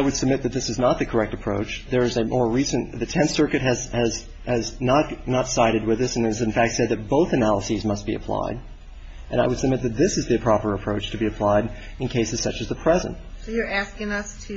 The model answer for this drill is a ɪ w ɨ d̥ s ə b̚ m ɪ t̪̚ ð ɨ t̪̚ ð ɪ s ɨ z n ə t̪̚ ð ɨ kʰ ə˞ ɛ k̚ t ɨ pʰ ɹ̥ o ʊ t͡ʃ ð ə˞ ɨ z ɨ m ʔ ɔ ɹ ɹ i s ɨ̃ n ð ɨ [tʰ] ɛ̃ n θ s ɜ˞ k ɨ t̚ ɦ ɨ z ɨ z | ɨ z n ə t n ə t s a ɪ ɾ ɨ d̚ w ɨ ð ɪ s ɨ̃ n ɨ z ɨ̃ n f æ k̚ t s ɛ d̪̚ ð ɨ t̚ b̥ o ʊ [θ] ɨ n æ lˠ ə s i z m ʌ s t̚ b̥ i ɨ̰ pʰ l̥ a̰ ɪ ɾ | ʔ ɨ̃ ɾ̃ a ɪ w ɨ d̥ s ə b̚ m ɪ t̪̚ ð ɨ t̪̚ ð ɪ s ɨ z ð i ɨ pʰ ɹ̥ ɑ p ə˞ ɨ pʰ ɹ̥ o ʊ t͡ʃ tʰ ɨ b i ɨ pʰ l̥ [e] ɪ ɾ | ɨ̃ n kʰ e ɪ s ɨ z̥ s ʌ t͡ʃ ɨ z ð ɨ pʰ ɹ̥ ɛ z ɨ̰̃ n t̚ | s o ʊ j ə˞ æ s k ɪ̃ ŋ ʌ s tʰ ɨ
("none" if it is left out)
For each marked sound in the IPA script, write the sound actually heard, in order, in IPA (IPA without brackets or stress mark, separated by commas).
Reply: tʰ, θ, a